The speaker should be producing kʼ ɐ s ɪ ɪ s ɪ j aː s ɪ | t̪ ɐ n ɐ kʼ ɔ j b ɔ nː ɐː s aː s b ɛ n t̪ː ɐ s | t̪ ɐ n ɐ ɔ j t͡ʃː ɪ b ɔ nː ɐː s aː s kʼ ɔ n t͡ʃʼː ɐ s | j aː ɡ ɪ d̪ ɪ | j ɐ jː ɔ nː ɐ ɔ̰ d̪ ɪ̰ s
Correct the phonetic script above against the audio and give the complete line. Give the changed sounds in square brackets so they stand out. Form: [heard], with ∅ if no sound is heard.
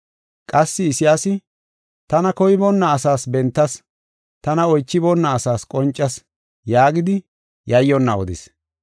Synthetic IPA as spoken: kʼ ɐ [sː] ɪ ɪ s ɪ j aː s ɪ | t̪ ɐ n ɐ [k] ɔ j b ɔ nː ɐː s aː s b ɛ n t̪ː ɐ s | t̪ ɐ n ɐ ɔ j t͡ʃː ɪ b ɔ nː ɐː s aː s kʼ ɔ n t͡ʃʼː ɐ s | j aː ɡ ɪ d̪ ɪ | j ɐ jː ɔ nː ɐ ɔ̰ d̪ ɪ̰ s